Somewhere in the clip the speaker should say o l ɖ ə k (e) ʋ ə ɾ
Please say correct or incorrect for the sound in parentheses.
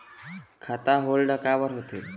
incorrect: a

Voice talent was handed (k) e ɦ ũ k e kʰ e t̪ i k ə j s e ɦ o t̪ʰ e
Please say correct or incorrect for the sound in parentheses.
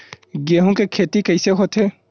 incorrect: ɡ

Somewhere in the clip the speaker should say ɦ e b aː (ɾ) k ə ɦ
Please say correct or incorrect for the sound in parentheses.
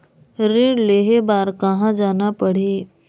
correct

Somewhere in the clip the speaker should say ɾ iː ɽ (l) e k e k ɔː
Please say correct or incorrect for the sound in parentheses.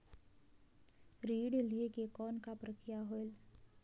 correct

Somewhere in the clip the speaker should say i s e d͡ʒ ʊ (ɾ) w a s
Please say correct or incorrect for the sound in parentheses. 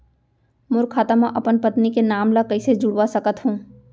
incorrect: ɽ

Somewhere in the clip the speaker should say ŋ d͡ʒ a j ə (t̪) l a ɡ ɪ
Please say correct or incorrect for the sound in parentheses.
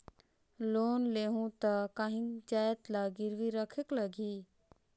correct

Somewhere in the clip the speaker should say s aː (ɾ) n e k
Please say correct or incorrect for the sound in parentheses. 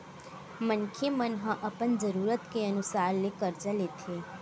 correct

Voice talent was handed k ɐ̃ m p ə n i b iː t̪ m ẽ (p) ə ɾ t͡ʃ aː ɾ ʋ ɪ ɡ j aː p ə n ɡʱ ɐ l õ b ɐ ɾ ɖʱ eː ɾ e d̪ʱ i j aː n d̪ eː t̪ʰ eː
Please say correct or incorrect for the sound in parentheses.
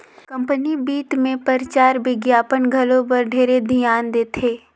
correct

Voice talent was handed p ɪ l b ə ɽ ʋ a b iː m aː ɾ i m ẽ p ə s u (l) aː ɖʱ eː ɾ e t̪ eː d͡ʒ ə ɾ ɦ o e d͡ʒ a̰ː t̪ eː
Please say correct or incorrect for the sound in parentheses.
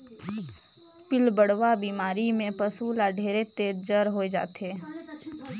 correct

